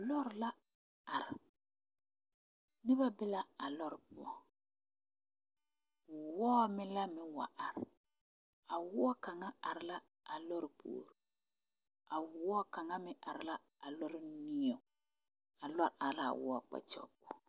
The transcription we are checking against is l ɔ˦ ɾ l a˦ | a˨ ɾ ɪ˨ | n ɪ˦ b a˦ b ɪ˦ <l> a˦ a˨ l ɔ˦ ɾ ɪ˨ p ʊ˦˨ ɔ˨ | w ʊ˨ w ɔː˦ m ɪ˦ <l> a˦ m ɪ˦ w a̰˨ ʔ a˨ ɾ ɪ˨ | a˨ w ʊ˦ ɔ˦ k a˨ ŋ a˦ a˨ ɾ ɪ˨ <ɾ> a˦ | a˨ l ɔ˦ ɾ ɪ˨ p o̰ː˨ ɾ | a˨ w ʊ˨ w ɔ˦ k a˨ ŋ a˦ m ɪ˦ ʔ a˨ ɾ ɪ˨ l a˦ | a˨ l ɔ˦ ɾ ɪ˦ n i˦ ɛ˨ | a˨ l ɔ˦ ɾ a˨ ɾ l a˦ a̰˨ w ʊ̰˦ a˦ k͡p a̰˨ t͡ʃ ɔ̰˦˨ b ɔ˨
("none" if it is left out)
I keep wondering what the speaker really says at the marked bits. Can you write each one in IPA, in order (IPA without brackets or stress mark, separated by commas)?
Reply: l, l, l